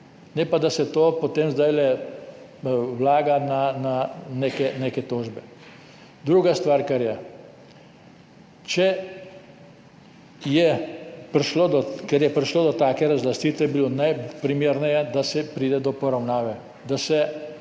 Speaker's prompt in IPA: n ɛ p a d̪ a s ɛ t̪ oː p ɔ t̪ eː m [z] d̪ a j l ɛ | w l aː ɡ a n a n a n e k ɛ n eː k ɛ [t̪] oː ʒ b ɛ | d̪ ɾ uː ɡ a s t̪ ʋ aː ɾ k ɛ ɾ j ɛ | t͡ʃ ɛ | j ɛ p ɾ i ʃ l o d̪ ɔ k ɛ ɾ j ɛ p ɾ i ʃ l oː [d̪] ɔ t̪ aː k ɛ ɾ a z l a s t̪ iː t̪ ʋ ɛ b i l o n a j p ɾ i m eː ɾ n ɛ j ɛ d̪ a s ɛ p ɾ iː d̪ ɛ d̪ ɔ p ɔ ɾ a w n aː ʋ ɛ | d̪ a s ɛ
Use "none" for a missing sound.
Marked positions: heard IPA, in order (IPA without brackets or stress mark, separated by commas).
z, t̪, d̪